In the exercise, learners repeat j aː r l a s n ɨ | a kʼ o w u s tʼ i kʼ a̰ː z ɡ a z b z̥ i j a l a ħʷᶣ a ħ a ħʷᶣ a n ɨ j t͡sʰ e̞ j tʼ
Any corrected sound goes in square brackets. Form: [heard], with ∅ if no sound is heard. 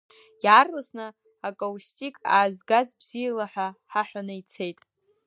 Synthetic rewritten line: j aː r l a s n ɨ | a kʼ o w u s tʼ i kʼ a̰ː z ɡ a z b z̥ i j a l a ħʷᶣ a ħ a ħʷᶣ a n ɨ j t͡sʰ e̞ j tʼ